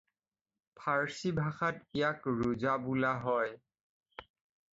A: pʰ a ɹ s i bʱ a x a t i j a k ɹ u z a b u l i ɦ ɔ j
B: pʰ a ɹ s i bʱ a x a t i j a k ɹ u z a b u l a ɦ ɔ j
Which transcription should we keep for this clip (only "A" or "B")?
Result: B